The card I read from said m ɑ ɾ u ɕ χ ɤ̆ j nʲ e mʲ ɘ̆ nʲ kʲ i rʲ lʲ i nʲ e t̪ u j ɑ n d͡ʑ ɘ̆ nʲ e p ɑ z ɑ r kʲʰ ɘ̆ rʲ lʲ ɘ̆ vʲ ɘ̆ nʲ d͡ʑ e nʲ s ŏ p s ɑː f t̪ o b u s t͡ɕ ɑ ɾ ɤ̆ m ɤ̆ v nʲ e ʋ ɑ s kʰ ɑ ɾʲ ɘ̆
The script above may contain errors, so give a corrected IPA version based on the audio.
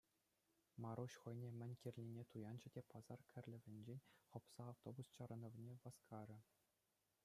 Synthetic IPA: m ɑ ɾ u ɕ χ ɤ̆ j nʲ e mʲ ɘ̆ nʲ kʲ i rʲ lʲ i nʲ e t̪ u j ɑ n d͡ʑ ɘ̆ dʲ e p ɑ z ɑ r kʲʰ ɘ̆ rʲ lʲ ɘ̆ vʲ ɘ̆ nʲ d͡ʑ e nʲ χ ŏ p s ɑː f t̪ o b u s t͡ɕ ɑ ɾ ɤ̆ n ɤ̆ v nʲ e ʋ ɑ s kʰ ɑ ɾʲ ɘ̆